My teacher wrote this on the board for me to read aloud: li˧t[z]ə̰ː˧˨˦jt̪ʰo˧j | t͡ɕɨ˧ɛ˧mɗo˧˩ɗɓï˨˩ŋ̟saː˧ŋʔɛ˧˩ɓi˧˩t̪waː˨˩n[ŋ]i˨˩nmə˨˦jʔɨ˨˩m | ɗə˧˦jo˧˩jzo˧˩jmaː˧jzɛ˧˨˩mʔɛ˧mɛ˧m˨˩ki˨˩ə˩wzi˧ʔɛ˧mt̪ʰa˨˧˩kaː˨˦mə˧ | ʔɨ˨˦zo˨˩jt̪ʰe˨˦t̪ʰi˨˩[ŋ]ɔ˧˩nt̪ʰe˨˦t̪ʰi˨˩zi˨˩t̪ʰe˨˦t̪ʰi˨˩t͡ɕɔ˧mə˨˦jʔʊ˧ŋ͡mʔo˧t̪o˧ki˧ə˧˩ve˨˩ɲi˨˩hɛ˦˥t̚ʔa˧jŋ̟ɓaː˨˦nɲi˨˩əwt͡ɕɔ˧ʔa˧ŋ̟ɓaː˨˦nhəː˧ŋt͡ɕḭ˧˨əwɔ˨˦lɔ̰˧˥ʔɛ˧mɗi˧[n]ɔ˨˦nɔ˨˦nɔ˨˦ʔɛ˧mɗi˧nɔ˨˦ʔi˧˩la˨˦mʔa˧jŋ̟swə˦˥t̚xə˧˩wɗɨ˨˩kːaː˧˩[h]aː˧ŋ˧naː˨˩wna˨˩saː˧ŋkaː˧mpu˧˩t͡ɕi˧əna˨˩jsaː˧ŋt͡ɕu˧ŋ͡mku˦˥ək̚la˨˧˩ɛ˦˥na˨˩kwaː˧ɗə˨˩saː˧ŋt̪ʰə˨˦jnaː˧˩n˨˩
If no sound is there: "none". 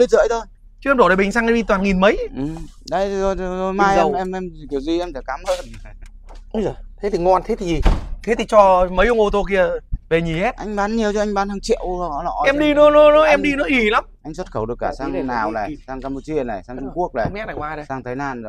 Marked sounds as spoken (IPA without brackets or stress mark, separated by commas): z, ŋ, ŋ, n, s